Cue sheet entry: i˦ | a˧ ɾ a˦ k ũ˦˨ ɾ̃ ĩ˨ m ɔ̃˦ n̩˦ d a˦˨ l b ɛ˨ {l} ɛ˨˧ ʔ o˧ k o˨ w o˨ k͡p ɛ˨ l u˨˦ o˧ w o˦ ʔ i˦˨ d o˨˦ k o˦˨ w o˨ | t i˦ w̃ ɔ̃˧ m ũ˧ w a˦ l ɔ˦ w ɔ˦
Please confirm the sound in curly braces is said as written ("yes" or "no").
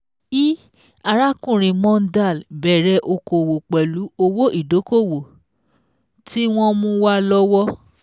no